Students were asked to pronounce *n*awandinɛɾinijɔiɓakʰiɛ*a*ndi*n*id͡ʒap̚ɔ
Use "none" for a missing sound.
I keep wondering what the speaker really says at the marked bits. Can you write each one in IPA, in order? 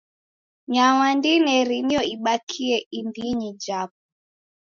ɲ, i, ɲ

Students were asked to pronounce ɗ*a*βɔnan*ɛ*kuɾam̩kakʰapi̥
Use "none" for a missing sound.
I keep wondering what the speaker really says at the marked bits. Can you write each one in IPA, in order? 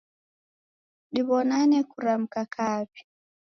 i, ɛ

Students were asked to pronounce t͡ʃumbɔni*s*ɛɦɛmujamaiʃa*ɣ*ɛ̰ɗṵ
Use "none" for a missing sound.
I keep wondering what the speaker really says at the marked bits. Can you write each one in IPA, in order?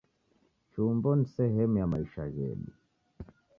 s, ɣ

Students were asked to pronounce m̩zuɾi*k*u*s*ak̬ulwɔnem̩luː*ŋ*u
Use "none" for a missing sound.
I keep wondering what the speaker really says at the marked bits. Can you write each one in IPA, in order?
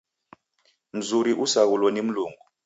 ʔ, s, ŋ

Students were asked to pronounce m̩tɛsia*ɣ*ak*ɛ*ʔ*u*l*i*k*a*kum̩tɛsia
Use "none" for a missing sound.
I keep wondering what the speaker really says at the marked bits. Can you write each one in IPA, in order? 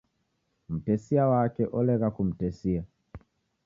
w, ɛ, ɔ, ɛ, a

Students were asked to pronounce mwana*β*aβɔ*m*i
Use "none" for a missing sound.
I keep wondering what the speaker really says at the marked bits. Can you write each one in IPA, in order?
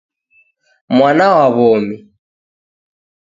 w, m

